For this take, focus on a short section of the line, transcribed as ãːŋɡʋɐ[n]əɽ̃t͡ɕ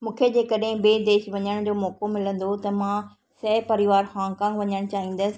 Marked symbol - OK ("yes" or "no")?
no